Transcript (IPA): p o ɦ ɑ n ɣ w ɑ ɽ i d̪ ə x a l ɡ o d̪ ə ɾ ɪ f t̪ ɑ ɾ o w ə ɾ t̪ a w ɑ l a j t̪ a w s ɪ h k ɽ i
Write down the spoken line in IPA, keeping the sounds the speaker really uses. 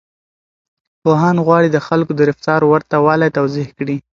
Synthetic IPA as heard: p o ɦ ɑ n ɣ w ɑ ɽ i d̪ ə x a l k o d̪ ə ɾ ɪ f t̪ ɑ ɾ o w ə ɾ t̪ a w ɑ l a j t̪ a w z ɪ h k ɽ i